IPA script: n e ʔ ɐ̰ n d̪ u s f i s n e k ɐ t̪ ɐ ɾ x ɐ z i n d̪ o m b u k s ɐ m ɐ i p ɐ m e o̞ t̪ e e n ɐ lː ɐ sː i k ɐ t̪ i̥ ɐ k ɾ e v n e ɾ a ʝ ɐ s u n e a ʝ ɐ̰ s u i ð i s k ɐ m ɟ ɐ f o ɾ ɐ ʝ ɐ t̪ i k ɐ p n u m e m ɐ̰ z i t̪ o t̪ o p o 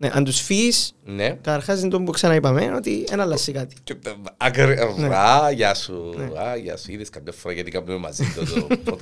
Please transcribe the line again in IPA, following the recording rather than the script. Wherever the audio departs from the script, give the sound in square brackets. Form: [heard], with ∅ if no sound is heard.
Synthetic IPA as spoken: n e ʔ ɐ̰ n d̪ u s f i s n e k ɐ t̪ ɐ ɾ x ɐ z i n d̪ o m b u k s ɐ [n] ɐ i p ɐ m e o̞ t̪ [i] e n ɐ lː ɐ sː i k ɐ t̪ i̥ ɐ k ɾ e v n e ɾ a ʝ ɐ s u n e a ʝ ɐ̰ s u i ð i s k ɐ m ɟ ɐ f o ɾ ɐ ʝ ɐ t̪ i k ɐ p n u m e m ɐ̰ z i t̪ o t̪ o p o